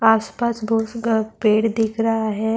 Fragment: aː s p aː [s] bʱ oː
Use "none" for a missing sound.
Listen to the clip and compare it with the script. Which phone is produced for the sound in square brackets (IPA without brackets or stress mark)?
s